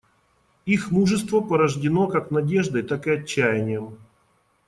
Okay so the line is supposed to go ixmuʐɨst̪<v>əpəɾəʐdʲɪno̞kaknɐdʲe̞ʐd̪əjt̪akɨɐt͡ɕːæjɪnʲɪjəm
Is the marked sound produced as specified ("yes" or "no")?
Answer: yes